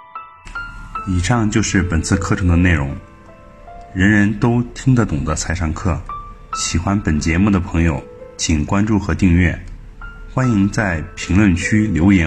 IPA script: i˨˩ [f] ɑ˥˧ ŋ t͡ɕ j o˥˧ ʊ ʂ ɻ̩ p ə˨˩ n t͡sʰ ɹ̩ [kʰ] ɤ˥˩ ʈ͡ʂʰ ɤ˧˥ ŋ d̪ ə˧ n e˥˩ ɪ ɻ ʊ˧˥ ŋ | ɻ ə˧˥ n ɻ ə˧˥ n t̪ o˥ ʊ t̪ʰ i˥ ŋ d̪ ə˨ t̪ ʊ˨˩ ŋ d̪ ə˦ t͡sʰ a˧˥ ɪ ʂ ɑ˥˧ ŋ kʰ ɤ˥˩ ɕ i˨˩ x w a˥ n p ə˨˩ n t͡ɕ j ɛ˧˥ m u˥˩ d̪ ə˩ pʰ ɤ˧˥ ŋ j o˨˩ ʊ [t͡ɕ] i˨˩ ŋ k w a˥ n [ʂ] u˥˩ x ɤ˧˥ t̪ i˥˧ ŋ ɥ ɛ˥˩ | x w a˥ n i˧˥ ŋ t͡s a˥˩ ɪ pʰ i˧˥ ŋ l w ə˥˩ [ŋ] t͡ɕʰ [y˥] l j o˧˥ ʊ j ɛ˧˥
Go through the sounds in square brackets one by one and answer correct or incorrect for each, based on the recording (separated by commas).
incorrect, correct, incorrect, incorrect, incorrect, correct